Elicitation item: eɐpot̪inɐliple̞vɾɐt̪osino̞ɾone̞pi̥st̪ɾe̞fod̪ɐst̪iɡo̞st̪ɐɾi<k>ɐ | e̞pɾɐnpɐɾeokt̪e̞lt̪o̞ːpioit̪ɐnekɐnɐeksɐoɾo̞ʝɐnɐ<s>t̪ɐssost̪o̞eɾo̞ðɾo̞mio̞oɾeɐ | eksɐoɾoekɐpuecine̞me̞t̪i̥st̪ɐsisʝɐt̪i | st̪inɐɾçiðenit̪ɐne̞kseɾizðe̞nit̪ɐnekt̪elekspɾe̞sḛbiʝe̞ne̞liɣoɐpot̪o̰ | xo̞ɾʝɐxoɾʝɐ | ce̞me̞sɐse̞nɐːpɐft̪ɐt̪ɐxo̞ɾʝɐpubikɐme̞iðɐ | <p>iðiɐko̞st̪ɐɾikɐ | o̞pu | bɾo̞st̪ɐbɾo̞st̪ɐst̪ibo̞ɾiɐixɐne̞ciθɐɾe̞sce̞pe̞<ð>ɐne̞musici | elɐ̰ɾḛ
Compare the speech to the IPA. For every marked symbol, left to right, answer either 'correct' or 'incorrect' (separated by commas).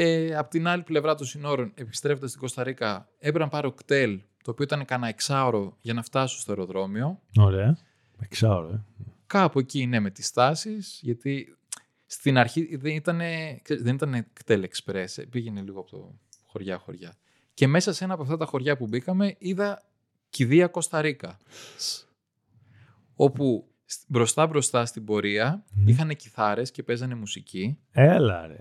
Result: correct, incorrect, incorrect, incorrect